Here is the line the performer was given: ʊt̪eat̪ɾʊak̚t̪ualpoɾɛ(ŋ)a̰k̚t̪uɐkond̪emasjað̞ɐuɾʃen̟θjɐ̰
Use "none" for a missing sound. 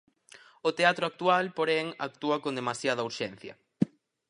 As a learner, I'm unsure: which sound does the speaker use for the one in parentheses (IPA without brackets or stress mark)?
ŋ